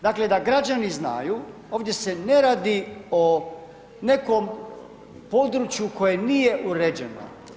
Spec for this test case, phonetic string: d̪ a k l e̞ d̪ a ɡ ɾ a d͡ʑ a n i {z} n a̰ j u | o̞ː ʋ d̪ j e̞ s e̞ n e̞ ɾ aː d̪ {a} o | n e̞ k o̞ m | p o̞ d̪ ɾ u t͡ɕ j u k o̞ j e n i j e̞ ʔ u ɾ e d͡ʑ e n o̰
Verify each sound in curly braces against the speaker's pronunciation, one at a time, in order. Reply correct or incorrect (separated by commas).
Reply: correct, incorrect